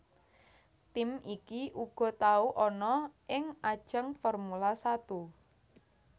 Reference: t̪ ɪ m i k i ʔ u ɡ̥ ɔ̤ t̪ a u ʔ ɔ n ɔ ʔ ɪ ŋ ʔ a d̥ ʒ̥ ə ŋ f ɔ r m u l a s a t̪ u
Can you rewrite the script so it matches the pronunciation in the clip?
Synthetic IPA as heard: t̪ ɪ m i k i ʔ u ɡ̥ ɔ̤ t̪ a u ʔ ɔ n ɔ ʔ ɪ ŋ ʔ a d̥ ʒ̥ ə ŋ f ɔ r m u l a s a t̪ u